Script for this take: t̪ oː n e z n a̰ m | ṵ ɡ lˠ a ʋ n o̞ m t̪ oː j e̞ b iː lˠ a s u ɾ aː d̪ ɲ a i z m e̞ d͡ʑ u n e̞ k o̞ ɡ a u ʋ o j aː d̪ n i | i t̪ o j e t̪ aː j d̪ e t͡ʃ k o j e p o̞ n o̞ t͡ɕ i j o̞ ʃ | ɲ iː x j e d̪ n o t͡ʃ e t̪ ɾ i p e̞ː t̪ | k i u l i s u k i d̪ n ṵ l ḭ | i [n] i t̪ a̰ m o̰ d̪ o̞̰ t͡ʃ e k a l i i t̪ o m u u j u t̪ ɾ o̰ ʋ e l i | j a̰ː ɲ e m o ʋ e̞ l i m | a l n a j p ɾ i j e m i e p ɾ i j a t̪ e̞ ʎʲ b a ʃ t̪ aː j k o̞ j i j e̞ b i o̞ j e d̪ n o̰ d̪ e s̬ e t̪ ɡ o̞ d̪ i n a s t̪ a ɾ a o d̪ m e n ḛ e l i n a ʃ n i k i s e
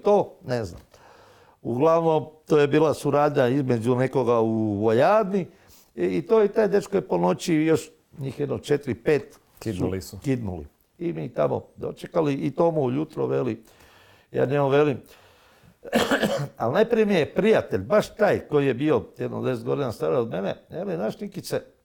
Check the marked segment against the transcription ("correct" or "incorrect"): incorrect